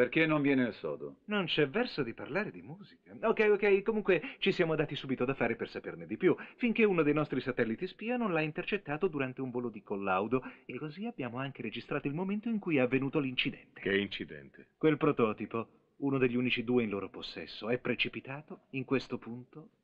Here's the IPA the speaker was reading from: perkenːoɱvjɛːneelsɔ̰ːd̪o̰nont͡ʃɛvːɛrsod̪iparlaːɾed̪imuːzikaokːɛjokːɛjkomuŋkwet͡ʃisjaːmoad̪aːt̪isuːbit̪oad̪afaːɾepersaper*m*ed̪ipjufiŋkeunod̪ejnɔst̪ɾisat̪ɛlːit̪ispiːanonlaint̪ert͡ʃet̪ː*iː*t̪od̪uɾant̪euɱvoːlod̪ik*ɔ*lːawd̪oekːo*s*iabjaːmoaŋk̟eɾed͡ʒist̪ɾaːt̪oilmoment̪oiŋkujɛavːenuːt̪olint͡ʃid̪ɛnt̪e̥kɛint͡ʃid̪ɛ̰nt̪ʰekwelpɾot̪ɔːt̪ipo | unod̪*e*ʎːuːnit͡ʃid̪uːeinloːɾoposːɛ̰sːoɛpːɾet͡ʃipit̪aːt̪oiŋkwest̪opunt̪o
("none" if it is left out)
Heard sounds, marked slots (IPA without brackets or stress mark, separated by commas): n, aː, o, z, e